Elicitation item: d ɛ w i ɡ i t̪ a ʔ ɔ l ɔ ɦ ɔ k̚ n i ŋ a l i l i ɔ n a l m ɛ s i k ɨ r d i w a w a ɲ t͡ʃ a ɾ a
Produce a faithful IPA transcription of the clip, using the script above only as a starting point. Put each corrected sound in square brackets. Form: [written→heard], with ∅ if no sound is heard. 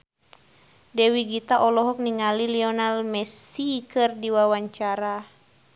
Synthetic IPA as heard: d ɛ w i ɡ i t̪ a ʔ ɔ l ɔ ɦ ɔ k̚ n i ŋ a l i l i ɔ n a l m ɛ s i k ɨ r d i w a w a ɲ t͡ʃ a ɾ a

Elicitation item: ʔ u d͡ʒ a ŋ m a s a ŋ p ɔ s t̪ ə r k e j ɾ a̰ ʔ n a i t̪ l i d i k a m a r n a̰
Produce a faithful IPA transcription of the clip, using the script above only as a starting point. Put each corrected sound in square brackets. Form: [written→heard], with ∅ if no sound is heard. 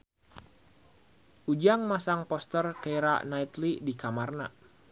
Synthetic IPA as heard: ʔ u d͡ʒ a ŋ m a s a ŋ p ɔ s t̪ ə r k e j ɾ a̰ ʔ n a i t̪ l i d i k a m a r n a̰

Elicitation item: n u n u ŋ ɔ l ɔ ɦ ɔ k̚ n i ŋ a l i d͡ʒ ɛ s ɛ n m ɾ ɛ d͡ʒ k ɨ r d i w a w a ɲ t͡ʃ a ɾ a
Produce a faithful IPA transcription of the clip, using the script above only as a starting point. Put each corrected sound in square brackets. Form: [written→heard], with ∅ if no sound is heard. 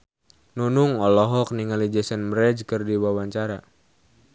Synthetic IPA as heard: n u n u ŋ ɔ l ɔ ɦ ɔ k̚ n i ŋ a l i d͡ʒ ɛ s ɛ n m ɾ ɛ d͡ʒ k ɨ r d i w a w a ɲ t͡ʃ a ɾ a

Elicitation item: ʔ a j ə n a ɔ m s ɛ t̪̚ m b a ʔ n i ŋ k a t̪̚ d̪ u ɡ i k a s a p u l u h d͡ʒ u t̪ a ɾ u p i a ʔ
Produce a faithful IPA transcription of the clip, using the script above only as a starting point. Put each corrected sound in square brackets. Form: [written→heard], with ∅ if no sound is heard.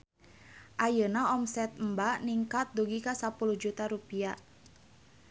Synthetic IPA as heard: ʔ a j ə n a ɔ m s ɛ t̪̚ m b a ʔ n i ŋ k a t̪̚ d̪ u ɡ i k a s a p u l u h d͡ʒ u t̪ a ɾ u p i a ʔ

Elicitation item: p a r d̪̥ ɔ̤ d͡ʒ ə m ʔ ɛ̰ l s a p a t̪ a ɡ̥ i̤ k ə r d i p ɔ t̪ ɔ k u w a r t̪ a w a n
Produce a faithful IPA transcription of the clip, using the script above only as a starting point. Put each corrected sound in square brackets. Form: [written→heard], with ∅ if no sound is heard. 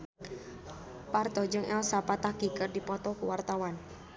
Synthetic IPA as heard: p a r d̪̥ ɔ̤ d͡ʒ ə [m→ŋ] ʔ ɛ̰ l s a p a t̪ a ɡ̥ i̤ k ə r d i p ɔ t̪ ɔ k u w a r t̪ a w a n

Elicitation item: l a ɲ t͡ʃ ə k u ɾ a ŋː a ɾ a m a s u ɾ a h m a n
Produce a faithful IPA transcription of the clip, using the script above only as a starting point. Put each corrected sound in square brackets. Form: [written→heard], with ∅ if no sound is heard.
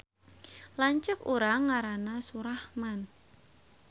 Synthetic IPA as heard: l a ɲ t͡ʃ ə k u ɾ a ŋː a ɾ a [m→n] a s u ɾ a h m a n

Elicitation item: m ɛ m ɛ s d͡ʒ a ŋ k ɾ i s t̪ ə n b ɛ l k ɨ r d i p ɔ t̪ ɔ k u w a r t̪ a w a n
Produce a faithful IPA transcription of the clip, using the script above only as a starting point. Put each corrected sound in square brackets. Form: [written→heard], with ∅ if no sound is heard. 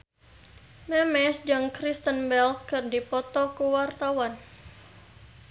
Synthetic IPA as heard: m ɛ m ɛ s d͡ʒ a ŋ k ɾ i s t̪ ə n b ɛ l k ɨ r d i p ɔ t̪ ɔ k u w a r t̪ a w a n

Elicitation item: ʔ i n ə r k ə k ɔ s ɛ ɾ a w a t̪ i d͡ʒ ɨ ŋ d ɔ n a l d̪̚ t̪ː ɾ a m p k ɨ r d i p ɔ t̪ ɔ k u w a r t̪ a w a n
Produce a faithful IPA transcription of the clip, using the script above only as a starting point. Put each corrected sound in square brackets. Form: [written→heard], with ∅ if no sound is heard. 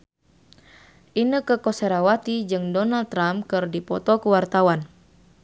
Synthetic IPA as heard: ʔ i n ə [r→∅] k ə k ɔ s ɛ ɾ a w a t̪ i d͡ʒ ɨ ŋ d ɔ n a l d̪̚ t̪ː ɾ a m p k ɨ r d i p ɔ t̪ ɔ k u w a r t̪ a w a n

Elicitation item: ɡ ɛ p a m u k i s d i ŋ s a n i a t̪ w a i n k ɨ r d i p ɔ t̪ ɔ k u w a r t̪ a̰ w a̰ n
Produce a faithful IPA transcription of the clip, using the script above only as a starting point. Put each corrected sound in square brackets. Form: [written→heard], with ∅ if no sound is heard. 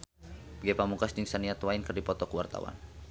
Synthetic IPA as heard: ɡ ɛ p a m u k [i→a] s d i ŋ s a n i a t̪ w a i n k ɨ r d i p ɔ t̪ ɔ k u w a r t̪ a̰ w a̰ n

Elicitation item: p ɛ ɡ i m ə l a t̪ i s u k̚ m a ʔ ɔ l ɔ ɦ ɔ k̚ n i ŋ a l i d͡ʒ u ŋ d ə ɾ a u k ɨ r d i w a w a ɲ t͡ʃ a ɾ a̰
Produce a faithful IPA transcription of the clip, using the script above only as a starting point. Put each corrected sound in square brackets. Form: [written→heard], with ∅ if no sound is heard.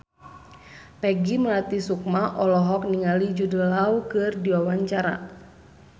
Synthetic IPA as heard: p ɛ ɡ i m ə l a t̪ i s u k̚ m a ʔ ɔ l ɔ ɦ ɔ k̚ n i ŋ a l i d͡ʒ u [ŋ→∅] d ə [ɾ→l] a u k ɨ r d i w a w a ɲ t͡ʃ a ɾ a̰

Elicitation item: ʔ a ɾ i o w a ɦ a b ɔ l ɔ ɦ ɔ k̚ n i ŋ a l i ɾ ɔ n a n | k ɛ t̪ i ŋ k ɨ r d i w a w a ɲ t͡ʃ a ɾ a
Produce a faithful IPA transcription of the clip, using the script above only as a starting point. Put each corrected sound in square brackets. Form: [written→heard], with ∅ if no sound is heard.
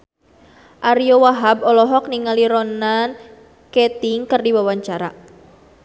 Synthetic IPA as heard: ʔ a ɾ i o w a ɦ a b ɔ l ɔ ɦ ɔ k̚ n i ŋ a l i ɾ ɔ n a n | k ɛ t̪ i ŋ k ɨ r d i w a w a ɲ t͡ʃ a ɾ a

